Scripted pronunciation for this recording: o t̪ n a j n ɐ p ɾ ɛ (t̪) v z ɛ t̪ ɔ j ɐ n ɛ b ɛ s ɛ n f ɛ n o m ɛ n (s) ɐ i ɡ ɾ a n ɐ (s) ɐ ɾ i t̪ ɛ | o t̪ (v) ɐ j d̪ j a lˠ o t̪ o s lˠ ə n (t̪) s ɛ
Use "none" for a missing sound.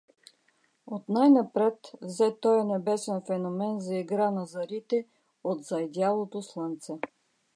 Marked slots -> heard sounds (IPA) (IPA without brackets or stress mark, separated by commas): t̪, z, z, z, t̪